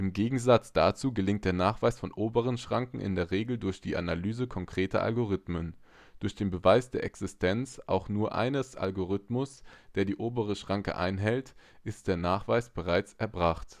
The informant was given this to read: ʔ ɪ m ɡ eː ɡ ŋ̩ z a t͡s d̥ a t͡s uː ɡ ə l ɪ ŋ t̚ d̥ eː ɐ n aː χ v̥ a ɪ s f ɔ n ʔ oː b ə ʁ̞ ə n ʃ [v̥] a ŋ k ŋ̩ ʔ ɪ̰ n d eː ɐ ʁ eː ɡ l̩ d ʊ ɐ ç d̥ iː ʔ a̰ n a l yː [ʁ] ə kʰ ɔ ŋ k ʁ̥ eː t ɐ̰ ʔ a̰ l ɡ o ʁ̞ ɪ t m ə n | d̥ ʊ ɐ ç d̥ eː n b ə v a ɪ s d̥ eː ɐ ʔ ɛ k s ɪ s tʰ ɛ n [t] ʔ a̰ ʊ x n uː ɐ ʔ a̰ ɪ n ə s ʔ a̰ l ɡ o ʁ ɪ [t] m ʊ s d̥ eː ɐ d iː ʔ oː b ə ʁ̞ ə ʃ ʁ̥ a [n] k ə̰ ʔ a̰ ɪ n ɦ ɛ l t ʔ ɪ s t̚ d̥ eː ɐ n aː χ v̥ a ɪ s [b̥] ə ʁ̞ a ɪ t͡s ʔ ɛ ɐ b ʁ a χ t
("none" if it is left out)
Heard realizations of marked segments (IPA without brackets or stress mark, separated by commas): ʁ̥, z, t͡s, t, ŋ, b̥